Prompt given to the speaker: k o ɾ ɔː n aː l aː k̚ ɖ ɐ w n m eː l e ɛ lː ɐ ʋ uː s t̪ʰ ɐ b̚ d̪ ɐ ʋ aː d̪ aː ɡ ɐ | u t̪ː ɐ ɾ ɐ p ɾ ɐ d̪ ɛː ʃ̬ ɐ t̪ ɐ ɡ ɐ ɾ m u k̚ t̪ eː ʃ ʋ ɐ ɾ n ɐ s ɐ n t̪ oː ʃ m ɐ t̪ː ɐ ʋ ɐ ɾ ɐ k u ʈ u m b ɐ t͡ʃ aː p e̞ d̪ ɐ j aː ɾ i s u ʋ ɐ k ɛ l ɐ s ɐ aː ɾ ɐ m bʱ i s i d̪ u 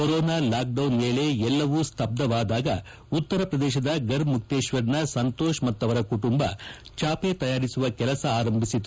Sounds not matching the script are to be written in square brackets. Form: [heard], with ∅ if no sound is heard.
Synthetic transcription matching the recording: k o ɾ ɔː n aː l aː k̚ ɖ ɐ w n m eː l e ɛ lː ɐ ʋ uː s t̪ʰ ɐ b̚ d̪ ɐ ʋ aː d̪ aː ɡ ɐ | u t̪ː ɐ ɾ ɐ p ɾ ɐ d̪ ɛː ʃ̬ ɐ [d̪] ɐ ɡ ɐ ɾ m u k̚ t̪ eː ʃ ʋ ɐ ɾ n ɐ s ɐ n t̪ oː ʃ m ɐ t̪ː ɐ ʋ ɐ ɾ ɐ k u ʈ u m b ɐ t͡ʃ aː p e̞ [t̪] ɐ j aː ɾ i s u ʋ ɐ k ɛ l ɐ s ɐ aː ɾ ɐ m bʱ i s i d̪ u